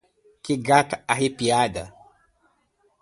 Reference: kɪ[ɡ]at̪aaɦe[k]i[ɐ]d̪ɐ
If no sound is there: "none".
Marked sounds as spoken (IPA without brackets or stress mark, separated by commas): ɡ, p, a